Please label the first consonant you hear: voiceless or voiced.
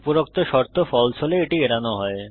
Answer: voiceless